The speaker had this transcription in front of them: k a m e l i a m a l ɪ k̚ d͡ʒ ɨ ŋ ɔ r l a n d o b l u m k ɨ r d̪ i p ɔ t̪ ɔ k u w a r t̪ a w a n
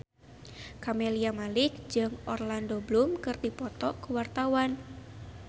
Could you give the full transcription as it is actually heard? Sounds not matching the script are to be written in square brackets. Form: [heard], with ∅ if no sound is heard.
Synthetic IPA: k a m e l i a m a l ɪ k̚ d͡ʒ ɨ ŋ ɔ r l a n d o b l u m k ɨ r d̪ i p ɔ t̪ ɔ k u w a r t̪ a w a n

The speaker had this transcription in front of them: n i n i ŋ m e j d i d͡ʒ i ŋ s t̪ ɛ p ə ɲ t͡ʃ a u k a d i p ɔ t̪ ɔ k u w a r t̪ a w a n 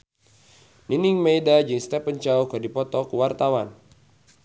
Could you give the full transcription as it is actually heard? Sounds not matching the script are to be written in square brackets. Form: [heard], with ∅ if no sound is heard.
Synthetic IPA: n i n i ŋ m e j d [a] d͡ʒ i ŋ s t̪ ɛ p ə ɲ t͡ʃ a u k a d i p ɔ t̪ ɔ k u w a r t̪ a w a n

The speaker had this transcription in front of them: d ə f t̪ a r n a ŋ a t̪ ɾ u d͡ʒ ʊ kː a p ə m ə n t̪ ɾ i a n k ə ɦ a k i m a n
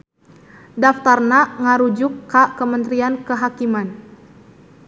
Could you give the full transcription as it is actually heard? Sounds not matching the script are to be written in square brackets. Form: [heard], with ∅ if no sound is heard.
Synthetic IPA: d [a] f t̪ a r n a ŋ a [∅] ɾ u d͡ʒ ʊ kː a [k] ə m ə n t̪ ɾ i a n k ə ɦ a k i m a n

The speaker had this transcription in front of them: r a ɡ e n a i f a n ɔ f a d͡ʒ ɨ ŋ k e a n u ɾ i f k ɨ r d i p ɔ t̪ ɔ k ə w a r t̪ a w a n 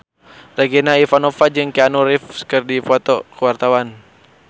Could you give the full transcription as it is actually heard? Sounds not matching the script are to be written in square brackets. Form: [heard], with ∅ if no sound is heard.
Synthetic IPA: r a ɡ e n a i f a n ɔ f a d͡ʒ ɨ ŋ k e a n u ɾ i f k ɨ r d i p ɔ t̪ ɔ k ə w a r t̪ a w a n

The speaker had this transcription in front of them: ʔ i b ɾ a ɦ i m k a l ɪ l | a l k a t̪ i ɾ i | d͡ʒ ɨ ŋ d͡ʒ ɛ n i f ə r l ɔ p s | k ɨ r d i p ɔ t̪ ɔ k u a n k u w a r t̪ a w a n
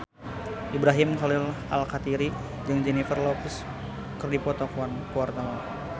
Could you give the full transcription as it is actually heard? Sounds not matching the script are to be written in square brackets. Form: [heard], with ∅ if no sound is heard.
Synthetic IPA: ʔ i b ɾ a ɦ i m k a l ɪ l | a l k a t̪ i ɾ i | d͡ʒ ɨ ŋ d͡ʒ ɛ n i f ə r l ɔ p s | k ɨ r d i p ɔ t̪ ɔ k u a n k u w a r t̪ a w a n

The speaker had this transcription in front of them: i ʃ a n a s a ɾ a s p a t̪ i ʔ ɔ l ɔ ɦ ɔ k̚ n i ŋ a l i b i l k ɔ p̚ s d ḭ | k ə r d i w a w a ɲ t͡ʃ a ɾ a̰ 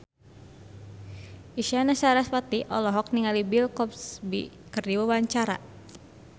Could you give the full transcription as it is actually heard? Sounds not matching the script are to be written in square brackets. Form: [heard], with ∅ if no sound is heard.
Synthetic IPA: i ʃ a n a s a ɾ a s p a t̪ i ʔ ɔ l ɔ ɦ ɔ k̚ n i ŋ a l i b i l k ɔ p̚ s [b] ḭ | k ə r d i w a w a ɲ t͡ʃ a ɾ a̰

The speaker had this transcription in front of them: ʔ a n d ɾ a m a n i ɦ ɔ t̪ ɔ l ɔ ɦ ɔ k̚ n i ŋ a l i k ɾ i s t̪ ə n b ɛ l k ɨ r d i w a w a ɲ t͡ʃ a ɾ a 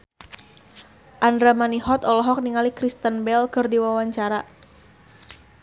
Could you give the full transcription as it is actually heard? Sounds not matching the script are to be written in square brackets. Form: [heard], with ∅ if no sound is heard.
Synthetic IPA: ʔ a n d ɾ a m a n i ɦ ɔ t̪ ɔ l ɔ ɦ ɔ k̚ n i ŋ a l i k ɾ i s t̪ ə n b ɛ l k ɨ r d i w a w a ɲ t͡ʃ a ɾ a

